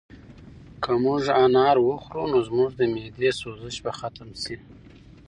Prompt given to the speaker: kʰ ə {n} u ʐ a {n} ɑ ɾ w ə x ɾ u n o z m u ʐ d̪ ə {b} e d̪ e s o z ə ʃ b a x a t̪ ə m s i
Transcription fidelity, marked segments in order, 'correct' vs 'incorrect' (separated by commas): incorrect, correct, incorrect